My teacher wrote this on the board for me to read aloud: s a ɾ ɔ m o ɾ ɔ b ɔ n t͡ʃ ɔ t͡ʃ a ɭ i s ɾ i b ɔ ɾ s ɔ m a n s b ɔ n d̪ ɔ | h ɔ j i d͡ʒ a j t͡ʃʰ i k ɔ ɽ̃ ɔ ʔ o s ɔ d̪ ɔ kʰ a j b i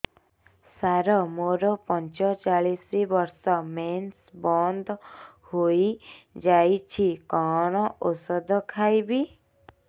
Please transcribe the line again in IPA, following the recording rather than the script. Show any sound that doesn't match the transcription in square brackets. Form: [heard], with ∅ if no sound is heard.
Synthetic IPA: s a ɾ ɔ m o ɾ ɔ [p] ɔ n t͡ʃ ɔ t͡ʃ a ɭ i s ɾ i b ɔ ɾ s ɔ m [e] n s b ɔ n d̪ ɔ | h [o] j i d͡ʒ a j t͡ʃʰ i k ɔ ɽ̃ ɔ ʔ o s ɔ d̪ ɔ kʰ a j b i